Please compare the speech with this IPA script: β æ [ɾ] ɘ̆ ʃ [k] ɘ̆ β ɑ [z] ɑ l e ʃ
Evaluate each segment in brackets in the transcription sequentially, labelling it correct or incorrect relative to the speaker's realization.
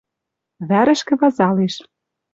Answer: correct, correct, correct

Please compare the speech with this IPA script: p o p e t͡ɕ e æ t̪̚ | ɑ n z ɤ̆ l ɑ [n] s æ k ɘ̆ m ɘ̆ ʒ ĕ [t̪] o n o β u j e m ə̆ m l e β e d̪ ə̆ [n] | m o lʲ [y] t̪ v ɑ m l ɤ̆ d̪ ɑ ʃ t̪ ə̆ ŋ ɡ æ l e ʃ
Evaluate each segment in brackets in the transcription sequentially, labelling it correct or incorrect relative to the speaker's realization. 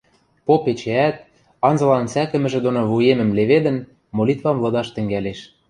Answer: correct, incorrect: d̪, correct, incorrect: i

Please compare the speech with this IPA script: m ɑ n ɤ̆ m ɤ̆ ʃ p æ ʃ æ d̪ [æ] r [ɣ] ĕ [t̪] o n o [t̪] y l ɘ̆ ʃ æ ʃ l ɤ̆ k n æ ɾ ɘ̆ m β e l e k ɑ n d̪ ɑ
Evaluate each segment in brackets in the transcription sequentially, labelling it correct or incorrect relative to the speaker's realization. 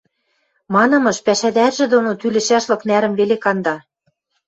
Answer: correct, incorrect: ʒ, incorrect: d̪, correct

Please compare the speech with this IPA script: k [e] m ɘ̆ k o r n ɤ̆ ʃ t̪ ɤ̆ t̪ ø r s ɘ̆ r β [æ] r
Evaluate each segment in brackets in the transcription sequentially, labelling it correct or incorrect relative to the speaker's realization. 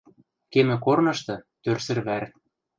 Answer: correct, correct

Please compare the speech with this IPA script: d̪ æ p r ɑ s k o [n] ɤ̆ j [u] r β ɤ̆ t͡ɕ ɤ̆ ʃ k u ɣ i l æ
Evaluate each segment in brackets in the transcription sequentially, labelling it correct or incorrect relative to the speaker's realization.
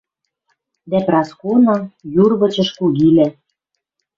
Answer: correct, correct

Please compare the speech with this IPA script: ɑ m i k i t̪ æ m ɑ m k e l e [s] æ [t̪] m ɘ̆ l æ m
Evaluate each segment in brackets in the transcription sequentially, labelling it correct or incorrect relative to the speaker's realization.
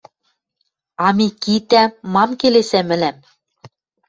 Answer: correct, incorrect: none

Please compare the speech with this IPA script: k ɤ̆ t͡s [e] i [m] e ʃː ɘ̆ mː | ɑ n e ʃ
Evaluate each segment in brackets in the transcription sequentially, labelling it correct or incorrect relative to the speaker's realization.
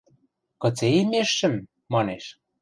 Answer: correct, correct

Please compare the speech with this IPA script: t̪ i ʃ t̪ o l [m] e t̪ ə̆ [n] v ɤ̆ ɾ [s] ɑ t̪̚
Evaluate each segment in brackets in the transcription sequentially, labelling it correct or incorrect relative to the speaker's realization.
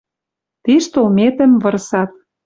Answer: correct, incorrect: m, correct

